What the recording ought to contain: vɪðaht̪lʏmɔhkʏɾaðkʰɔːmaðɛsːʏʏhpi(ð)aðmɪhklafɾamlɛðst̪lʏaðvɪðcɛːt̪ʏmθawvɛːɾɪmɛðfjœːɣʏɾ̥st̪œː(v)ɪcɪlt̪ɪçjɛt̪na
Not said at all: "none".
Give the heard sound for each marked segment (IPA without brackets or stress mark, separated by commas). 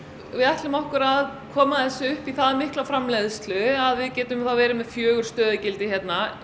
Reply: θ, ð